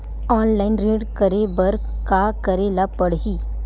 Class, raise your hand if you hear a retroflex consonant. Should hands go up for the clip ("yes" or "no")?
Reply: yes